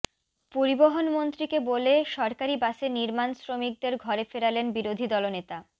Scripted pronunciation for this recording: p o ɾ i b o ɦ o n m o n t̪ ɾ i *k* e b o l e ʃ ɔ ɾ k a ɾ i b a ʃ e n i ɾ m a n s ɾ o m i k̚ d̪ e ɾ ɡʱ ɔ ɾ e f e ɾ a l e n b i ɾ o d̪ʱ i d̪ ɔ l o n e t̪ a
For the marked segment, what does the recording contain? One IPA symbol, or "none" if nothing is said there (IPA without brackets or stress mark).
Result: k